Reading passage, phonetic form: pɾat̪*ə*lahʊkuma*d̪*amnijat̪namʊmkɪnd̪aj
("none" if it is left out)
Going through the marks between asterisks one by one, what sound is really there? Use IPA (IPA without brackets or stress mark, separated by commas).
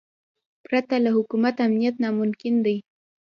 a, t̪